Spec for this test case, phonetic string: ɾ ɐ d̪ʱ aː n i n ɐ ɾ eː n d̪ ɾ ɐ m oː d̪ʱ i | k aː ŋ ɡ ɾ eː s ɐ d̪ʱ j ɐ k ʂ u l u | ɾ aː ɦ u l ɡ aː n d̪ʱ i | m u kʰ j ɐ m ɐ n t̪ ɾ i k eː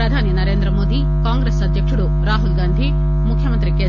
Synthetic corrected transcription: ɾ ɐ d̪ʱ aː n i n ɐ ɾ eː n d̪ ɾ ɐ m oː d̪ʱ i | k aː ŋ ɡ ɾ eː s ɐ d̪ʱ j ɐ k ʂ u ɽ u | ɾ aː ɦ u l ɡ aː n d̪ʱ i | m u kʰ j ɐ m ɐ n t̪ ɾ i k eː

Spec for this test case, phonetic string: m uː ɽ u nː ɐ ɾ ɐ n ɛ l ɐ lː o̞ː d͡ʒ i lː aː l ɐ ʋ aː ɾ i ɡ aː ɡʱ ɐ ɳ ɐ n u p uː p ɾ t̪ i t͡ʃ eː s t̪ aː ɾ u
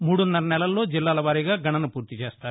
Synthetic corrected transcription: m uː ɽ u nː ɐ ɾ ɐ n ɛ l ɐ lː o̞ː d͡ʒ i lː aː l ɐ ʋ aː ɾ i ɡ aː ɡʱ ɐ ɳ ɐ n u p uː ɾ t̪ i t͡ʃ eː s t̪ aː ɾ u

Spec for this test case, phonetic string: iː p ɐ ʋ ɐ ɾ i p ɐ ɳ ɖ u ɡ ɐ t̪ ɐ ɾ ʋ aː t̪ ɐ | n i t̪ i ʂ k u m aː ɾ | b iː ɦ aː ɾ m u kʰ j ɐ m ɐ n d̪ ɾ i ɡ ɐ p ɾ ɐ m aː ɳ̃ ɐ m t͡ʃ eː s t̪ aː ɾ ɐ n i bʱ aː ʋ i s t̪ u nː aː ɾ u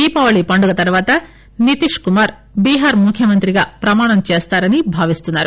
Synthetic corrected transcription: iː p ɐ ʋ ɐ ɭ i p ɐ ɳ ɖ u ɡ ɐ t̪ ɐ ɾ ʋ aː t̪ ɐ | n i t̪ i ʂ k u m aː ɾ | b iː ɦ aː ɾ m u kʰ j ɐ m ɐ n t̪ ɾ i ɡ ɐ p ɾ ɐ m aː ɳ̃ ɐ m t͡ʃ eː s t̪ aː ɾ ɐ n i bʱ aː ʋ i s t̪ u nː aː ɾ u

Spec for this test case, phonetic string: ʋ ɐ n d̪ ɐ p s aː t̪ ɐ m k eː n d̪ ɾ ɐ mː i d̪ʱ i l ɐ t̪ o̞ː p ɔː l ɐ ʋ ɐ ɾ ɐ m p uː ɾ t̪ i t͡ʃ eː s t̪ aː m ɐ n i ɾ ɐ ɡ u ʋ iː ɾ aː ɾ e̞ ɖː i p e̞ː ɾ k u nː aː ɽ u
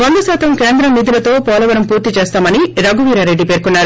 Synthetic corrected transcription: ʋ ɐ n d̪ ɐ s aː t̪ ɐ m k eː n d̪ ɾ ɐ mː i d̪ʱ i l ɐ t̪ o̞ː p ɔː l ɐ ʋ ɐ ɾ ɐ m p uː ɾ t̪ i t͡ʃ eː s t̪ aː m ɐ n i ɾ ɐ ɡ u ʋ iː ɾ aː ɾ e̞ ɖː i p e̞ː ɾ k u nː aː ɾ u

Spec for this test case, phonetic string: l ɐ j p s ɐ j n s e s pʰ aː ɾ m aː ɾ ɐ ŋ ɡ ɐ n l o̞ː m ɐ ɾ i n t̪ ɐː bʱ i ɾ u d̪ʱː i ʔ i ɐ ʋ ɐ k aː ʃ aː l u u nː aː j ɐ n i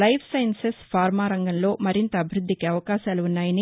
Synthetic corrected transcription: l ɐ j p s ɐ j n s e s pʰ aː ɾ m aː ɾ ɐ ŋ ɡ ɐ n l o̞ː m ɐ ɾ i n t̪ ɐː bʱ i ɾ u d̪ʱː i k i ɐ ʋ ɐ k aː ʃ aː l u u nː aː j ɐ n i

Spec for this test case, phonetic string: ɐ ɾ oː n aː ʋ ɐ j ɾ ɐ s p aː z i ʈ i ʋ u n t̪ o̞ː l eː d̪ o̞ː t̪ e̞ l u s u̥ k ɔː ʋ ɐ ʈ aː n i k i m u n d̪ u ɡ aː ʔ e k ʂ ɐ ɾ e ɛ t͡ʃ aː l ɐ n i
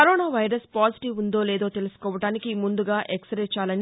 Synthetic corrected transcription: ɐ ɾ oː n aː ʋ ɐ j ɾ ɐ s p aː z i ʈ i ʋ u n d̪ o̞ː l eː d̪ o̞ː t̪ e̞ l u s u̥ k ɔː ʋ ɐ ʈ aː n i k i m u n d̪ u ɡ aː ʔ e k s ɐ ɾ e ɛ t͡ʃ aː l ɐ n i

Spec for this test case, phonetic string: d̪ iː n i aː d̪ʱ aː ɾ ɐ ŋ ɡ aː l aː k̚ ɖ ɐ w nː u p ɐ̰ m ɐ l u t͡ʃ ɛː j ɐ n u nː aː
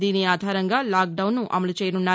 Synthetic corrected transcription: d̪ iː n i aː d̪ʱ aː ɾ ɐ ŋ ɡ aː l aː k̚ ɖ ɐ w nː u ʔ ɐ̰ m ɐ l u t͡ʃ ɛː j ɐ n u nː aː

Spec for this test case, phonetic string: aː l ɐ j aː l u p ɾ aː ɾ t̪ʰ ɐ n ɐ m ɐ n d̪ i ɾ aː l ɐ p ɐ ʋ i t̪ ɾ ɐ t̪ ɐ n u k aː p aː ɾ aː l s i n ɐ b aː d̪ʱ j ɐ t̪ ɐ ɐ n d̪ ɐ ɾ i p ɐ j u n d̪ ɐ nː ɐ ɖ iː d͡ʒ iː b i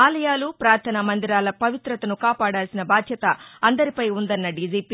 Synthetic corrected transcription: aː l ɐ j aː l u p ɾ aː ɾ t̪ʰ ɐ n ɐ m ɐ n d̪ i ɾ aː l ɐ p ɐ ʋ i t̪ ɾ ɐ t̪ ɐ n u k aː p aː ɽ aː l s i n ɐ b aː d̪ʱ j ɐ t̪ ɐ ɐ n d̪ ɐ ɾ i p ɐ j u n d̪ ɐ nː ɐ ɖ iː d͡ʒ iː p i

